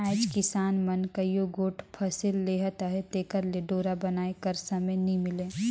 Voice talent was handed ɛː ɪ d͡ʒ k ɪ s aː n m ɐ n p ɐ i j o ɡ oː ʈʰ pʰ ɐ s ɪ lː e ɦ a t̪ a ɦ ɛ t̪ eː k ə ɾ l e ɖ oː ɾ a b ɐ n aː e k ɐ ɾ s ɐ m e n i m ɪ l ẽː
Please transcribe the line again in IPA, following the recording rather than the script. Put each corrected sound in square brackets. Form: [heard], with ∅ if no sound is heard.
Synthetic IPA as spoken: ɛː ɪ d͡ʒ k ɪ s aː n m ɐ n [k] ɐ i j o ɡ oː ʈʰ pʰ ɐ s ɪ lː e ɦ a t̪ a ɦ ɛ t̪ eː k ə ɾ l e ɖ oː ɾ a b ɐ n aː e k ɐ ɾ s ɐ m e n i m ɪ l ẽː